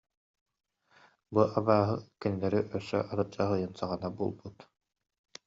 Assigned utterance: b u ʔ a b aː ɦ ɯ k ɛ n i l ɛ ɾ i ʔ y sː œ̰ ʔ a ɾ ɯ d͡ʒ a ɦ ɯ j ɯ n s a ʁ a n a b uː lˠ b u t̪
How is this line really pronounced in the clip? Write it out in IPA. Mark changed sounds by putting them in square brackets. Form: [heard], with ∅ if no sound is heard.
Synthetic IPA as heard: b u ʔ a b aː ɦ ɯ k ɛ n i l ɛ ɾ i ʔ [œ] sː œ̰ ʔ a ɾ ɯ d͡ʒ a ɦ ɯ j ɯ n s a ʁ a n a b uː lˠ b u t̪